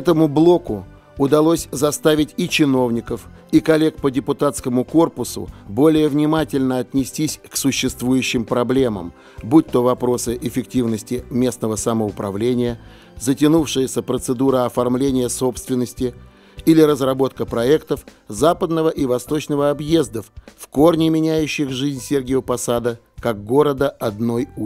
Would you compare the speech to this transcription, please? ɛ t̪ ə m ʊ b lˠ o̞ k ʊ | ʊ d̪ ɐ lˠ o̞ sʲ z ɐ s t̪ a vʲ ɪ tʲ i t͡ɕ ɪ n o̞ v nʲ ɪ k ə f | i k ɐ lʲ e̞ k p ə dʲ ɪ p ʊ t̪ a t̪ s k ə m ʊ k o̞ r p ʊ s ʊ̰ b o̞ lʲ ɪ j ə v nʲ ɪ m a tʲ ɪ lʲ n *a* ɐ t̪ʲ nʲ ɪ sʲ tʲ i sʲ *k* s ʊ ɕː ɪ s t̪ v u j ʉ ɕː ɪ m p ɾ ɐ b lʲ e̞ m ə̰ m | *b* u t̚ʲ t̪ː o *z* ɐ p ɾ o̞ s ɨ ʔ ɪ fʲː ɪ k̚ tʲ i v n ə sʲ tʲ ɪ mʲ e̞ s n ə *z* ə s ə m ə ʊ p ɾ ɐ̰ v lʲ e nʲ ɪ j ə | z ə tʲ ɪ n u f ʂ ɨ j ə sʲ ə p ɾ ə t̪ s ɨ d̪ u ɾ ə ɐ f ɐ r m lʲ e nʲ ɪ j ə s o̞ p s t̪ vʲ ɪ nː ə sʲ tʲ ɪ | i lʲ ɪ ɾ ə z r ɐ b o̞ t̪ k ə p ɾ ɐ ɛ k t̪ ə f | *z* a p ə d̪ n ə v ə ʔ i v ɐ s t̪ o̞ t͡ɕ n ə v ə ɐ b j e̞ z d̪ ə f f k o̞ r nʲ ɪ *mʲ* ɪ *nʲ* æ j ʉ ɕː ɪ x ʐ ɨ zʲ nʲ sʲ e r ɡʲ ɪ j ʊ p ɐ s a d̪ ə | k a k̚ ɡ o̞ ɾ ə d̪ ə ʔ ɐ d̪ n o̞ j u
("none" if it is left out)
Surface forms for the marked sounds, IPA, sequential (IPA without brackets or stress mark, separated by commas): ə, k, b, v, v, z, mʲ, nʲ